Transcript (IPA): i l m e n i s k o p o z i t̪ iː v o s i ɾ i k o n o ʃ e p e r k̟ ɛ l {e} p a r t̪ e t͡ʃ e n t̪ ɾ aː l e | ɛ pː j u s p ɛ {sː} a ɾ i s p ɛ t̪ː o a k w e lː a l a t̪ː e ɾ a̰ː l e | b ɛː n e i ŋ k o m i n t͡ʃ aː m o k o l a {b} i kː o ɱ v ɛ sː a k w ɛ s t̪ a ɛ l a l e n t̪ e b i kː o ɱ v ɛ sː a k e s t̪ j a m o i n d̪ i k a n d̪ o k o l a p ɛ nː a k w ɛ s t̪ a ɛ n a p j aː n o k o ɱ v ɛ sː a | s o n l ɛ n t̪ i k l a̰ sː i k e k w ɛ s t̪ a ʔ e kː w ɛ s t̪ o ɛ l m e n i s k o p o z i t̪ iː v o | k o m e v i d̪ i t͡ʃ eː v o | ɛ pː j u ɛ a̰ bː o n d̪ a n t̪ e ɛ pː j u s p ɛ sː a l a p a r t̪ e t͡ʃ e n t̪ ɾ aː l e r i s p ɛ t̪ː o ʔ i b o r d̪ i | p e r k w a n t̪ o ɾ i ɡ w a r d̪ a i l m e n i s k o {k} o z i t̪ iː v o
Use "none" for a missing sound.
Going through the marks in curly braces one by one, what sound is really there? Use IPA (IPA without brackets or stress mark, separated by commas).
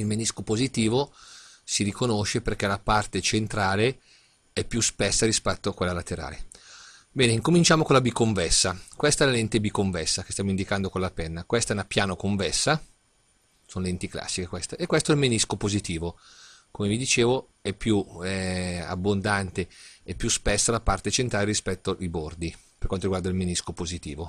a, sː, b, p